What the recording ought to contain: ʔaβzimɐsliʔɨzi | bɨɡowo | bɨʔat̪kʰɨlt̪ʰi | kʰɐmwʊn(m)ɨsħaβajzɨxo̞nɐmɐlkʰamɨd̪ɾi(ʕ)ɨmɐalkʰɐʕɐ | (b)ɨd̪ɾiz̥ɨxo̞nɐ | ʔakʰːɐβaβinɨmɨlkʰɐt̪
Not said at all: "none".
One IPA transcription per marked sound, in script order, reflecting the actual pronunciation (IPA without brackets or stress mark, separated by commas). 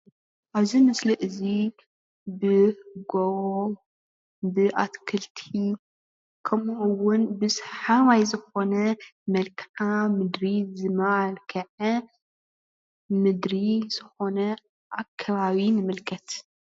b, z, m